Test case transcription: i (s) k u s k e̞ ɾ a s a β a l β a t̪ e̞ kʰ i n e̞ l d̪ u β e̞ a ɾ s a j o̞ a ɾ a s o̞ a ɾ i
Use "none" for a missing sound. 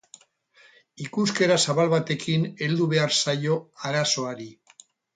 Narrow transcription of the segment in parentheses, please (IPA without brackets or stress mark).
none